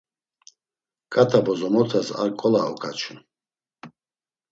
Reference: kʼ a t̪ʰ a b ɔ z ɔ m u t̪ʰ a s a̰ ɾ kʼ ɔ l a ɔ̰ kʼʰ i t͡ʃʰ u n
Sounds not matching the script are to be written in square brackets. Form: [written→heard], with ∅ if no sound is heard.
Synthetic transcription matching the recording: kʼ a t̪ʰ a b ɔ z ɔ m [u→ɔ] t̪ʰ a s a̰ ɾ kʼ ɔ l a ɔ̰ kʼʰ [i→a] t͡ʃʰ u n